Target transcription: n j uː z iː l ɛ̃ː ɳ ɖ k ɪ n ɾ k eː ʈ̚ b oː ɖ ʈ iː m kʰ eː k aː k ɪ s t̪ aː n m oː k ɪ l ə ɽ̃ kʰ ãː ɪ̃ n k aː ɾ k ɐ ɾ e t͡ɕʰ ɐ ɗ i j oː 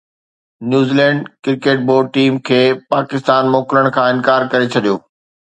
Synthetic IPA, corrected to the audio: n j uː z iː l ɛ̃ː ɳ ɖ k ɪ ɾ k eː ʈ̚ b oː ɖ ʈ iː m kʰ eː p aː k ɪ s t̪ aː n m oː k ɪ l ə ɽ̃ kʰ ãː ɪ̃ n k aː ɾ k ɐ ɾ e t͡ɕʰ ɐ ɗ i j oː